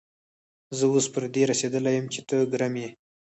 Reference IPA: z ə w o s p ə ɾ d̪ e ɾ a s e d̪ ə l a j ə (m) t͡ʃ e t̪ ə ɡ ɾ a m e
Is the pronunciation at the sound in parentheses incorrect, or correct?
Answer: correct